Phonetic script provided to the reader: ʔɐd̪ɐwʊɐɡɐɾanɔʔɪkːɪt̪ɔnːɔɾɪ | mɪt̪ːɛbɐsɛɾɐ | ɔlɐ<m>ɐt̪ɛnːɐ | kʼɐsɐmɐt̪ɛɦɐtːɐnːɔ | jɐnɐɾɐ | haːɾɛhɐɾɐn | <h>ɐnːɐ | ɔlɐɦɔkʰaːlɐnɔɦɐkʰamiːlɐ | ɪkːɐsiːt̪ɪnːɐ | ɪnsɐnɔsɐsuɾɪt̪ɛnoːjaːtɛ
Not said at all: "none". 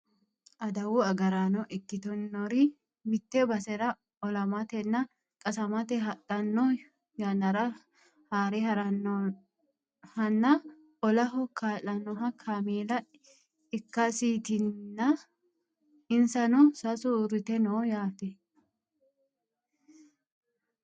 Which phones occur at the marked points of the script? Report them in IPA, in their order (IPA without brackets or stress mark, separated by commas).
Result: m, h